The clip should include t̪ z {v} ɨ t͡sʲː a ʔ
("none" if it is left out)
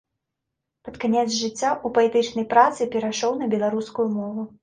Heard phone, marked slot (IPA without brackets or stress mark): ʐ